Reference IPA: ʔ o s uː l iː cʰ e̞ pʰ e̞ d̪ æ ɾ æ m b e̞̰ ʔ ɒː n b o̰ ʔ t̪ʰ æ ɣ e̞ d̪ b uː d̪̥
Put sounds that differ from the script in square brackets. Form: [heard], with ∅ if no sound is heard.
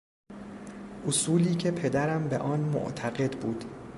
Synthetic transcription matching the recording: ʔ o s uː l iː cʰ e̞ pʰ e̞ d̪ æ ɾ æ m b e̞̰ ʔ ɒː n [m] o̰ ʔ t̪ʰ æ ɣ e̞ d̪ b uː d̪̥